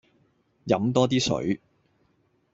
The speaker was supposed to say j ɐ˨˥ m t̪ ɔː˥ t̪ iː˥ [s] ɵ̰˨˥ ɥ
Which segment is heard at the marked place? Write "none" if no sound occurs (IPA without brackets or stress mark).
s